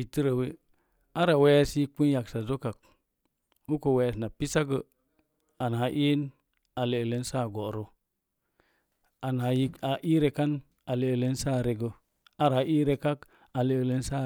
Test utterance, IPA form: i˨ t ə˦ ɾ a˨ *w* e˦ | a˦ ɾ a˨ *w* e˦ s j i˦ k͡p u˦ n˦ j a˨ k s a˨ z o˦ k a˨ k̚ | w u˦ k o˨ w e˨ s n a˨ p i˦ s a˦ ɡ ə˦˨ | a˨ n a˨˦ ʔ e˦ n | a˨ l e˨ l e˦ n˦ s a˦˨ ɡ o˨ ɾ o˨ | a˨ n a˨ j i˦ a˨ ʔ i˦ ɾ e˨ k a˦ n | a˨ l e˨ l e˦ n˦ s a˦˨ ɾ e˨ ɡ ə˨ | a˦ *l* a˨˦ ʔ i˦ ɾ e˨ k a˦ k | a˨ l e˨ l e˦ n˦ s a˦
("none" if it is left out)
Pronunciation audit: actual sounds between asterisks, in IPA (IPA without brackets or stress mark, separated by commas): w, w, ɾ